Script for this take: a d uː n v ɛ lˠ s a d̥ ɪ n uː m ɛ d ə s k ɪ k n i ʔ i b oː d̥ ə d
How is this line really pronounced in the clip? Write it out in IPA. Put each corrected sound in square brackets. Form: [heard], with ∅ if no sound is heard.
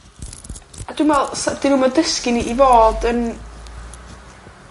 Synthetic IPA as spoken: a d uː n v ɛ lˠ s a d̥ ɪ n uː m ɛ d ə s k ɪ [∅] n i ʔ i [v] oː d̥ ə [n]